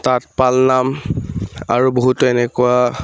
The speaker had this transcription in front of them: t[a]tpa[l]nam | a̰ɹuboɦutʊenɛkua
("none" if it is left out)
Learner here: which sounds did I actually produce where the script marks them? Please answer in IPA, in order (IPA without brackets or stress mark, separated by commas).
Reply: a, l